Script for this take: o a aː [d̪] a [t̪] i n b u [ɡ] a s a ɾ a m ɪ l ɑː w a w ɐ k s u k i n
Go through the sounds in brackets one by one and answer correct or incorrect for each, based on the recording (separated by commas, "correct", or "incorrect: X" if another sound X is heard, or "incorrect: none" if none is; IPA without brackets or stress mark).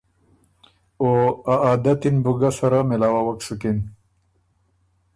correct, correct, correct